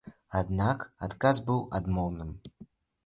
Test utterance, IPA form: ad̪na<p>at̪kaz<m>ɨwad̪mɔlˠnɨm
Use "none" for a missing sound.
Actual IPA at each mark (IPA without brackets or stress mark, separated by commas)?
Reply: k, b